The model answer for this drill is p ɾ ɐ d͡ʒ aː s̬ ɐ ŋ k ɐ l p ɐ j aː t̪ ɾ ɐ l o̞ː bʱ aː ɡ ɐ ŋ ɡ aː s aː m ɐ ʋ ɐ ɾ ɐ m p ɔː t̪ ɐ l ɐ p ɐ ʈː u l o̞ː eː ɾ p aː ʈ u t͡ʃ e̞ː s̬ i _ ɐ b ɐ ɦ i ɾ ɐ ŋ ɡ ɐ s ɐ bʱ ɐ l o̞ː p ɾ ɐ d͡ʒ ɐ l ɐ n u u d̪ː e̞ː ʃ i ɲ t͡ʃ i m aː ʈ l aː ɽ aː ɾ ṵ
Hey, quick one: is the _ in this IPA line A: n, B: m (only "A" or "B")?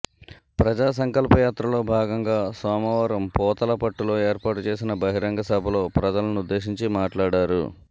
A